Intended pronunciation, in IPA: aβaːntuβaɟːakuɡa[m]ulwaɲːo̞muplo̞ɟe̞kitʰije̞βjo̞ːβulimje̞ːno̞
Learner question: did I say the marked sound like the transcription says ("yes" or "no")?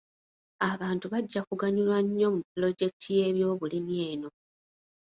no